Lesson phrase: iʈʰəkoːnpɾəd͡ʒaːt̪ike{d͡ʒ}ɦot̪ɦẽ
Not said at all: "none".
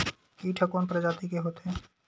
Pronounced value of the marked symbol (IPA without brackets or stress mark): none